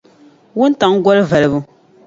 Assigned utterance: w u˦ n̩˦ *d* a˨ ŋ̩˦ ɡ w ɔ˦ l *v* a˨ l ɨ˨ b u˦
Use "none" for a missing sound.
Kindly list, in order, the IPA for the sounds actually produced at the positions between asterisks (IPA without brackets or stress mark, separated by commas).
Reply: t, v